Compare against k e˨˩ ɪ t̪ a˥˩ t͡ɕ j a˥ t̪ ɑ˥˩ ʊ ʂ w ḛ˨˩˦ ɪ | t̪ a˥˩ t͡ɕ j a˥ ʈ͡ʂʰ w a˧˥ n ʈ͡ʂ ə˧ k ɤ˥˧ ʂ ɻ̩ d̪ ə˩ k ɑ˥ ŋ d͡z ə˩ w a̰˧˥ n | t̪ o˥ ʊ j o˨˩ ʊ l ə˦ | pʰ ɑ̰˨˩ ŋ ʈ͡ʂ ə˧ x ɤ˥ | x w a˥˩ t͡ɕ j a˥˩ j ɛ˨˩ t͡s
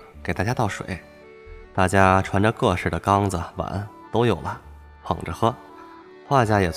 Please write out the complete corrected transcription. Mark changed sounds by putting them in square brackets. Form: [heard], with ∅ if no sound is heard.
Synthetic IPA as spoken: k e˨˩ ɪ t̪ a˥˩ t͡ɕ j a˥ t̪ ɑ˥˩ ʊ ʂ w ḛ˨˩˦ ɪ | t̪ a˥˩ t͡ɕ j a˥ ʈ͡ʂʰ w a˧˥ n ʈ͡ʂ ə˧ k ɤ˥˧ ʂ ɻ̩ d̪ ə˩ k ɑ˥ ŋ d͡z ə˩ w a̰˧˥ n | t̪ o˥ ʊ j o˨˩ ʊ l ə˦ | pʰ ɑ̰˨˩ ŋ ʈ͡ʂ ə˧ x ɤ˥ | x w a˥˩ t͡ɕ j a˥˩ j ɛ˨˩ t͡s